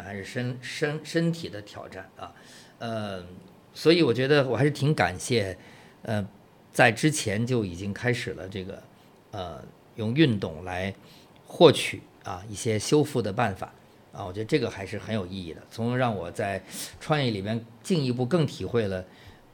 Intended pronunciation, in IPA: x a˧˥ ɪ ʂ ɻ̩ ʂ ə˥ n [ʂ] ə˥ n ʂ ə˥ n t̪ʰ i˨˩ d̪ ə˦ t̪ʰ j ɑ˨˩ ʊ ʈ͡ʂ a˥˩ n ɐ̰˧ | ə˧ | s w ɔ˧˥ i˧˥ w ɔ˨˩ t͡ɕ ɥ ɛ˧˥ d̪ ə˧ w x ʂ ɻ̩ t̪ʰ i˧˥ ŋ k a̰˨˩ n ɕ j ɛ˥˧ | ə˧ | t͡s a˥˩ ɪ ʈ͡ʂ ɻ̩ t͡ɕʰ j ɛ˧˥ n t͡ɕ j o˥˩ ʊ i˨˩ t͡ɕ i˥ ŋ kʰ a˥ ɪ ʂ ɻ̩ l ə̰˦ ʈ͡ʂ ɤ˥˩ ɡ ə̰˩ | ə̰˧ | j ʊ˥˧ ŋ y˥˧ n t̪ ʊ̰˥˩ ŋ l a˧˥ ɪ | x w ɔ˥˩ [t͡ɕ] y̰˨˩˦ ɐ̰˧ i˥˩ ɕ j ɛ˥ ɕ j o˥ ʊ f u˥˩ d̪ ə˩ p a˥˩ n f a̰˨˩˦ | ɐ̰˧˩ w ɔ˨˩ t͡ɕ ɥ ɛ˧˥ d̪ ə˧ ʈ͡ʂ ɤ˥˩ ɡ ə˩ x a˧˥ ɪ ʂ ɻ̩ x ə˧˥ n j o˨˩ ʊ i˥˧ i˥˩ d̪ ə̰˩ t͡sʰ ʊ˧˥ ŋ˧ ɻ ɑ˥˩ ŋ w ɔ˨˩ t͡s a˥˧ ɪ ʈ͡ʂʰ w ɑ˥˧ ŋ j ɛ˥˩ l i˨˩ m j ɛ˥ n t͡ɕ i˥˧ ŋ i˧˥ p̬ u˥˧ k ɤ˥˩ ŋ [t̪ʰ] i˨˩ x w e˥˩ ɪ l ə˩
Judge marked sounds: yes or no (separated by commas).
yes, no, yes